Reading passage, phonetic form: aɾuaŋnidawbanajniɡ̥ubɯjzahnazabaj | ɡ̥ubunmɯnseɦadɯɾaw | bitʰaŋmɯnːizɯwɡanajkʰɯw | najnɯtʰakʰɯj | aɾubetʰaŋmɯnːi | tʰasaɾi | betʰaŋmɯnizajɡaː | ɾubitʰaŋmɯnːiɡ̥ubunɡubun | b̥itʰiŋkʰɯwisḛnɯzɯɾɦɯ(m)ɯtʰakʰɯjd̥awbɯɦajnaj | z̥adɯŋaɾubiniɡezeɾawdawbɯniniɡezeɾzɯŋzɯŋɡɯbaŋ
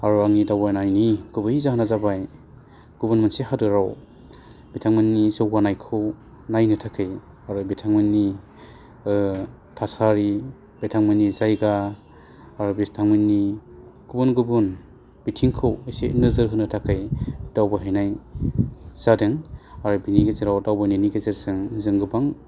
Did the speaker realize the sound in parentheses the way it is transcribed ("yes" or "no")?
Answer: no